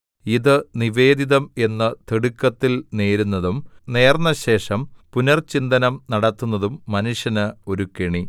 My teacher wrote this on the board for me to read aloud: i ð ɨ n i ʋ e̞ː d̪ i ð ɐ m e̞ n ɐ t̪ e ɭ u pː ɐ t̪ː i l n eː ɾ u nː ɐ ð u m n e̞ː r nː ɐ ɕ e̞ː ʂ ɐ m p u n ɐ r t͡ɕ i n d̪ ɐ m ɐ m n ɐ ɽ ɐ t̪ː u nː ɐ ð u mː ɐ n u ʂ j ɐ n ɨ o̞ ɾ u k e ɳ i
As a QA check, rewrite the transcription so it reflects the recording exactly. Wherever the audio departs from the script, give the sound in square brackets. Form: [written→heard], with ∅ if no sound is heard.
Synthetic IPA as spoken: i ð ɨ n i ʋ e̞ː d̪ i ð ɐ m e̞ [n→nː] ɐ t̪ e [ɭ→ɽ] u [pː→kː] ɐ t̪ː i l n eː ɾ u nː ɐ ð u m n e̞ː r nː ɐ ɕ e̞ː ʂ ɐ m p u n ɐ r t͡ɕ i n d̪ ɐ [m→n] ɐ m n ɐ ɽ ɐ t̪ː u nː ɐ ð u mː ɐ n u ʂ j ɐ n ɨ o̞ ɾ u k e ɳ i

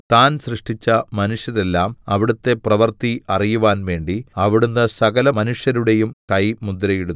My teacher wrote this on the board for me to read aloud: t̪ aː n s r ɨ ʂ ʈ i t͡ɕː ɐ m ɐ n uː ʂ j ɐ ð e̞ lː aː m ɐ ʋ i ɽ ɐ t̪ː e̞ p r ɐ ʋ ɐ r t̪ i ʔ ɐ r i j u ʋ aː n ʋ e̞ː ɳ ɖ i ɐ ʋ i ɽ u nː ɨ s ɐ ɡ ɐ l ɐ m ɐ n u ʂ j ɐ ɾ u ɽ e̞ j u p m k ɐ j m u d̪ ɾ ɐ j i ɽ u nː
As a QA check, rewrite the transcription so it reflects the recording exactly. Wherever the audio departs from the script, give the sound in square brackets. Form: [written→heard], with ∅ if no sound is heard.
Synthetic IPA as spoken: t̪ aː n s r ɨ ʂ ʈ i t͡ɕː ɐ m ɐ n [uː→u] ʂ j ɐ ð e̞ lː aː m ɐ ʋ i ɽ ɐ t̪ː e̞ p r ɐ ʋ ɐ r t̪ i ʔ ɐ r i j u ʋ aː n ʋ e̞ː ɳ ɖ i ɐ ʋ i ɽ u nː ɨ s ɐ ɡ ɐ l ɐ m ɐ n u ʂ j ɐ ɾ u ɽ e̞ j u [p→∅] m k ɐ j m u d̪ ɾ ɐ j i ɽ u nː

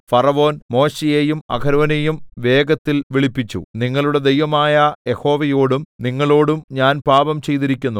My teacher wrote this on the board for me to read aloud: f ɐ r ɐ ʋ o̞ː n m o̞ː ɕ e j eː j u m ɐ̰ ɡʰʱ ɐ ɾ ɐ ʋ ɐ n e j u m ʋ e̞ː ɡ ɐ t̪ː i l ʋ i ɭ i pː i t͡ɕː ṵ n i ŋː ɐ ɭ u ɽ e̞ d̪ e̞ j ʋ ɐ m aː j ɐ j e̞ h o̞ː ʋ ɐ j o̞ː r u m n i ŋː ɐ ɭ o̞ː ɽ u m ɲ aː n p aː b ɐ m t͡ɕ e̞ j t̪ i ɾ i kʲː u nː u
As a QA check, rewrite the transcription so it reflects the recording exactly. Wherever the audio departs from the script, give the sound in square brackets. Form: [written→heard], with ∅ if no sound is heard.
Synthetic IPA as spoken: f ɐ r ɐ ʋ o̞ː n m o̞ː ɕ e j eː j u m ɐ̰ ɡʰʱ ɐ ɾ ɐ ʋ ɐ n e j u m ʋ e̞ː ɡ ɐ t̪ː i l ʋ i ɭ i pː i t͡ɕː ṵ n i ŋː ɐ ɭ u ɽ e̞ d̪ e̞ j ʋ ɐ m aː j ɐ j e̞ h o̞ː ʋ ɐ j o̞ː [r→ɽ] u m n i ŋː ɐ ɭ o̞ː ɽ u m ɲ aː n p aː b ɐ m t͡ɕ e̞ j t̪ i ɾ i kʲː u nː u

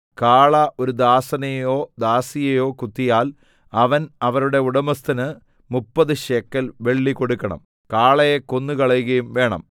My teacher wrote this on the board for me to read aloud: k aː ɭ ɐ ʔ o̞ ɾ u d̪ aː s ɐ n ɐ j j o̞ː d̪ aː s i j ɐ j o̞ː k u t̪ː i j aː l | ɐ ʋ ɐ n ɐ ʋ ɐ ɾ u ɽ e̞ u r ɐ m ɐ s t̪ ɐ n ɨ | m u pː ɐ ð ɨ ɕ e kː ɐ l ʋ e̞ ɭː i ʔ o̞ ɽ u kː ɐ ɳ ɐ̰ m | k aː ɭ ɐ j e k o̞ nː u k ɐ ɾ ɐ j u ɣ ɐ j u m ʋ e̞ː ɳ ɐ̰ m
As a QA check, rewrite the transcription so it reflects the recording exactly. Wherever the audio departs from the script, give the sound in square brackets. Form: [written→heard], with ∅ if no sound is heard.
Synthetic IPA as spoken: k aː ɭ ɐ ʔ o̞ ɾ u d̪ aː s ɐ n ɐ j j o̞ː d̪ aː s i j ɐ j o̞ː k u t̪ː i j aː l | ɐ ʋ ɐ n ɐ ʋ ɐ ɾ u ɽ e̞ u [r→ɽ] ɐ m ɐ s t̪ ɐ n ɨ | m u pː ɐ ð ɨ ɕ e kː ɐ l ʋ e̞ ɭː i [ʔ→k] o̞ ɽ u kː ɐ ɳ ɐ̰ m | k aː ɭ ɐ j e k o̞ nː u k ɐ [ɾ→ɭ] ɐ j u ɣ ɐ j u m ʋ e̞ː ɳ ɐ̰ m

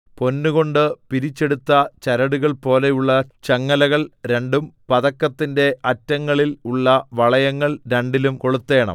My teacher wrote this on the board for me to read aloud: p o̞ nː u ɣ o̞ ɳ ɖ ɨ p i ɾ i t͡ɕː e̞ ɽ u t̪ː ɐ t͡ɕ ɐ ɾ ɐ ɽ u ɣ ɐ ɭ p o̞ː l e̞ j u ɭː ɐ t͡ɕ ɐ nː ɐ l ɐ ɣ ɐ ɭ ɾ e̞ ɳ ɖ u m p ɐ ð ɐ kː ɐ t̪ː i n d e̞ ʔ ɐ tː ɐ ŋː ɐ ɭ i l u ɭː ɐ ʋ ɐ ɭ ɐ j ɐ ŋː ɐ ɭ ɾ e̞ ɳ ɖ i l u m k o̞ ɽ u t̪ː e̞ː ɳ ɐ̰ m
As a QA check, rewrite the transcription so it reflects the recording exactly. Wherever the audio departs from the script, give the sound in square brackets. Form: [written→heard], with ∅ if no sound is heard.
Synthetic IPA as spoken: p o̞ nː u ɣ o̞ ɳ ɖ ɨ p i ɾ i t͡ɕː e̞ ɽ u t̪ː ɐ t͡ɕ ɐ ɾ ɐ ɽ u ɣ ɐ ɭ p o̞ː l e̞ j u ɭː ɐ t͡ɕ ɐ [nː→ŋː] ɐ l ɐ ɣ ɐ ɭ ɾ e̞ ɳ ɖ u m p ɐ ð ɐ kː ɐ t̪ː i n d e̞ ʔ ɐ tː ɐ ŋː ɐ ɭ i l u ɭː ɐ ʋ ɐ ɭ ɐ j ɐ ŋː ɐ ɭ ɾ e̞ ɳ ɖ i l u m k o̞ [ɽ→ɭ] u t̪ː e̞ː ɳ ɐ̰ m

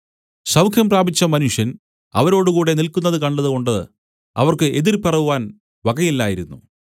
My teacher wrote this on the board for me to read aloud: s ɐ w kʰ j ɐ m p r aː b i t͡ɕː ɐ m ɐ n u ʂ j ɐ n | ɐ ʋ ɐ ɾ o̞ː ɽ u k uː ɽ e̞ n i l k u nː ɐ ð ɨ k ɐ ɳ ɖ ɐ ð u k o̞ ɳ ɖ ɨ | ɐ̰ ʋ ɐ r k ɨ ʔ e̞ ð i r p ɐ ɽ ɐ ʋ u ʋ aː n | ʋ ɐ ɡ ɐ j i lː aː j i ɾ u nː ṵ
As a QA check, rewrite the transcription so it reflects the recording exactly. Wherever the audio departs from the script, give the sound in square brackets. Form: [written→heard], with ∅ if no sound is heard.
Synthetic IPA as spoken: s ɐ w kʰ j ɐ m p r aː b i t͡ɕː ɐ m ɐ n u ʂ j ɐ n | ɐ ʋ ɐ ɾ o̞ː ɽ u k uː ɽ e̞ n i l k u nː ɐ ð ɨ k ɐ ɳ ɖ ɐ ð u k o̞ ɳ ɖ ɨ | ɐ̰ ʋ ɐ r k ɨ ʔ e̞ ð i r p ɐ [ɽ→r] ɐ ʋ u ʋ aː n | ʋ ɐ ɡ ɐ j i lː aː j i ɾ u nː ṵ

